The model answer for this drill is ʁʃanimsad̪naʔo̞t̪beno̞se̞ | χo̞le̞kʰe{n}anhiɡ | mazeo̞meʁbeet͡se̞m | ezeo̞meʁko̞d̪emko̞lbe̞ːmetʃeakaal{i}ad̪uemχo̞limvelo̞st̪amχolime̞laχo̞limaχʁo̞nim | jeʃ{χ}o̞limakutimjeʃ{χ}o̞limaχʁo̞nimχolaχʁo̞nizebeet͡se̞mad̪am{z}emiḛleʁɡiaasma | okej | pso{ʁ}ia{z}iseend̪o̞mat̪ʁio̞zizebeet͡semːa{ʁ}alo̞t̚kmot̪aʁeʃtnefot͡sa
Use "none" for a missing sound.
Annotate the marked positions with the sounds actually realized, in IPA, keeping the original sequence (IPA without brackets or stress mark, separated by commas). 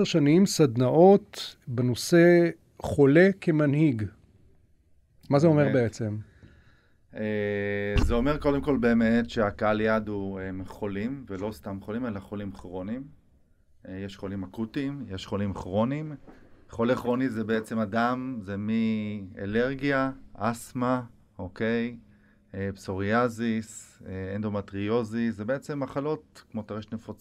m, j, χ, χ, z, ʁ, z, χ